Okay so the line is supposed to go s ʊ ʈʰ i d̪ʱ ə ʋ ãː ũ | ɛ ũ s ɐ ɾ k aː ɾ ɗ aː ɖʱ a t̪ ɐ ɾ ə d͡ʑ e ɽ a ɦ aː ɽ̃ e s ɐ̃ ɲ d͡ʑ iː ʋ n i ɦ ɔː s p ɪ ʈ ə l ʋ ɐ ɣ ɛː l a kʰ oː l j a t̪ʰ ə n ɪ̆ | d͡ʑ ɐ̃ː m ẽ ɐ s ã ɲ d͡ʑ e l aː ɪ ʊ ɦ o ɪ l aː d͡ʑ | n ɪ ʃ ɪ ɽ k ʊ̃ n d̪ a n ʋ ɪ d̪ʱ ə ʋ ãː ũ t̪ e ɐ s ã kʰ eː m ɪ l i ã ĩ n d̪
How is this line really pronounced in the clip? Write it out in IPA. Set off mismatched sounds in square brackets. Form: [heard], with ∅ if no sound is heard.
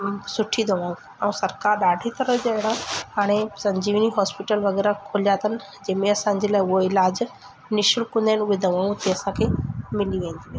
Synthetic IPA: s ʊ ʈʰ i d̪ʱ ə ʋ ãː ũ | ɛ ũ s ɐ ɾ k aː ɾ ɗ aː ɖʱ [i] t̪ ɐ ɾ ə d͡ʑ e ɽ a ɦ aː ɽ̃ e s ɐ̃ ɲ d͡ʑ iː ʋ n i ɦ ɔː s p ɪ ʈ ə l ʋ ɐ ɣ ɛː [ɾ] a kʰ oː l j a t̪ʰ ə n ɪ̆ | d͡ʑ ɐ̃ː m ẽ ɐ s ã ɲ d͡ʑ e l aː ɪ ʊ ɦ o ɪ l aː d͡ʑ | n ɪ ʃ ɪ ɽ k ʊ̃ n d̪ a n ʋ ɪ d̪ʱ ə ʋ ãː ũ t̪ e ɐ s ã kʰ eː m ɪ l i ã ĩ n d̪